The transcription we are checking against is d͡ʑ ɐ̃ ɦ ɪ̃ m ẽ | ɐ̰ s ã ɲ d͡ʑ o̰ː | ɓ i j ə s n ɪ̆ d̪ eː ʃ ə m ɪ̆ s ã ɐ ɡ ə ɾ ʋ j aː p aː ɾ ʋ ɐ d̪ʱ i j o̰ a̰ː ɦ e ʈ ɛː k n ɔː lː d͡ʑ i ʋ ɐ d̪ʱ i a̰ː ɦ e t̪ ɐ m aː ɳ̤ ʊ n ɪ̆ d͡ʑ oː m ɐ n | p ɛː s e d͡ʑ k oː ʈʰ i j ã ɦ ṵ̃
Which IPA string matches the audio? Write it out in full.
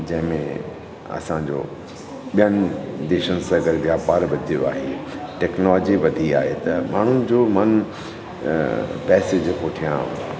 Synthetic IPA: d͡ʑ ɐ̃ ɦ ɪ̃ m ẽ | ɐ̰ s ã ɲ d͡ʑ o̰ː | ɓ i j ə n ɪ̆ d̪ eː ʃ ə n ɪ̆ s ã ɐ ɡ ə ɾ ʋ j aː p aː ɾ ʋ ɐ d̪ʱ i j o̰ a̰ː ɦ e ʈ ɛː k n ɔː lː d͡ʑ i ʋ ɐ d̪ʱ i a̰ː ɦ e t̪ ɐ m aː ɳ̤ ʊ n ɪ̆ d͡ʑ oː m ɐ n | p ɛː s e d͡ʑ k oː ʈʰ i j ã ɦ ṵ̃